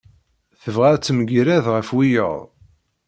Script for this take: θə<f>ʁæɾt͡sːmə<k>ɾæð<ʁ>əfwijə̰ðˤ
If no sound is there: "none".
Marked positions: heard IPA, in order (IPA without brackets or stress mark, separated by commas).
v, ɡ, ʁ